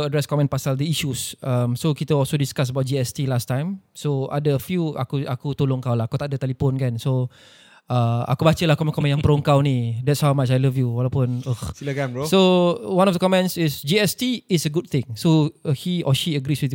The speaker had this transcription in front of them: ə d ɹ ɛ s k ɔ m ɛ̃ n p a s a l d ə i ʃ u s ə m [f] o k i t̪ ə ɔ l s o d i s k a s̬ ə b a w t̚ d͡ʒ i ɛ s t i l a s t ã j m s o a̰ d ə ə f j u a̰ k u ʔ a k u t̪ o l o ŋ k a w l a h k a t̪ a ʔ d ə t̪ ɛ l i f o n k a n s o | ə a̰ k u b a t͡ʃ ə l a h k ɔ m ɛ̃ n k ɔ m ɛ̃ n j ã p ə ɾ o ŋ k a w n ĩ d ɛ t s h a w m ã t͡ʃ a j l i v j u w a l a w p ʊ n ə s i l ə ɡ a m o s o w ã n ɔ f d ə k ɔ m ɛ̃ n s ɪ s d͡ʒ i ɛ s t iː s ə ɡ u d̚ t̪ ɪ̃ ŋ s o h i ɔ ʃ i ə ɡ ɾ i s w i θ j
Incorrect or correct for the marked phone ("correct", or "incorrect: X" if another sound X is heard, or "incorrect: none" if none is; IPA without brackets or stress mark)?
incorrect: s